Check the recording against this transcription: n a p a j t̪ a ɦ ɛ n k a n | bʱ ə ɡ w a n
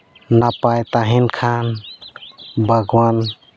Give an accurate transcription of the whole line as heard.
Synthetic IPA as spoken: n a p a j t̪ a ɦ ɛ n kʰ a n | bʱ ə ɡ w a n